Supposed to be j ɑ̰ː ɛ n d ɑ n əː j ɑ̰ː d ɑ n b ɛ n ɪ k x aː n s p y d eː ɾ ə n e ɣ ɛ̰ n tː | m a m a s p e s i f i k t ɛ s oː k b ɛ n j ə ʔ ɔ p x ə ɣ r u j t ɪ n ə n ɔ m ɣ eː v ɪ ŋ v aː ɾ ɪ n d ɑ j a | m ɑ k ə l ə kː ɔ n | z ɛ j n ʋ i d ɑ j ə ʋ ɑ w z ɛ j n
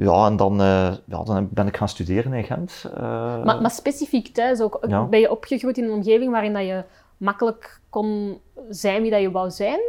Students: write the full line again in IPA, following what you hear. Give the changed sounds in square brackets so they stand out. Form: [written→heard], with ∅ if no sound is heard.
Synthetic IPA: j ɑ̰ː ɛ n d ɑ n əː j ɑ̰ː d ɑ n b ɛ n ɪ k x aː n s [p→t] y d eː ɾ ə n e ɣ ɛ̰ n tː | m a m a s p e s i f i k t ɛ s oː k b ɛ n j ə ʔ ɔ p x ə ɣ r u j t ɪ n ə n ɔ m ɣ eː v ɪ ŋ [v→ʋ] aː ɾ ɪ n d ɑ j [a→ə] | m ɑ k ə l ə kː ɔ n | z ɛ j n ʋ i d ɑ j ə ʋ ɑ w z ɛ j n